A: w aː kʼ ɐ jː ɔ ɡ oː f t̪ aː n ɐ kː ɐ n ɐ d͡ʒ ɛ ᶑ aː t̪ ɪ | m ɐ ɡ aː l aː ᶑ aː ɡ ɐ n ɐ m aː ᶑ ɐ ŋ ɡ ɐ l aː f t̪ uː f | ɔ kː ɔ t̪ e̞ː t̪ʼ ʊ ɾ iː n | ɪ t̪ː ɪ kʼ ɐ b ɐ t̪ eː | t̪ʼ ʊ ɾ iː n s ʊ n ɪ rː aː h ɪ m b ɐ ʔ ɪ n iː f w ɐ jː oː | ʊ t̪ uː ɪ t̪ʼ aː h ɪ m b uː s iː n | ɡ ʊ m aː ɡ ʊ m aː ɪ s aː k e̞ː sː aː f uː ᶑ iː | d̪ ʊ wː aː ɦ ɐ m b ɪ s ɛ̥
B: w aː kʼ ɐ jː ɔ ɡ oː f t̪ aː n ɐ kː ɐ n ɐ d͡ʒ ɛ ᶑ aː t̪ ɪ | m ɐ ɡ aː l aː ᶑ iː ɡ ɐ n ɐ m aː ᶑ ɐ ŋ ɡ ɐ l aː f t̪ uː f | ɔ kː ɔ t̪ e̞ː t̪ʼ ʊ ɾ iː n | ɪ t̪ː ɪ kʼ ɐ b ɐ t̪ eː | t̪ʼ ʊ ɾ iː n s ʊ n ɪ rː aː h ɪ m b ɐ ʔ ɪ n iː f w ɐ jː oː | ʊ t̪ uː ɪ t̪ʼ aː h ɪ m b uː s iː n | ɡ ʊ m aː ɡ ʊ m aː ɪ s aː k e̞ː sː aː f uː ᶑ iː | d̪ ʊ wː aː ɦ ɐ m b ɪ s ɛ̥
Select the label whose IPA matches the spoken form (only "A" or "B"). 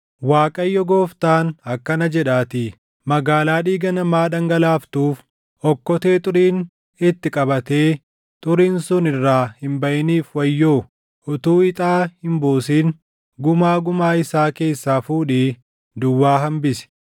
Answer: B